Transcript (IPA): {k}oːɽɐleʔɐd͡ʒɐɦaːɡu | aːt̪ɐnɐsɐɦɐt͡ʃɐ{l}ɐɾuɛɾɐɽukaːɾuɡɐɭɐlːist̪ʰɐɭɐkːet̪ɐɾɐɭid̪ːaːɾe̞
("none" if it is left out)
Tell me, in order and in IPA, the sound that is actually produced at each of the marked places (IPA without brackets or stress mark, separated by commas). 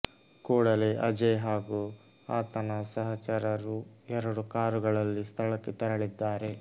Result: k, ɾ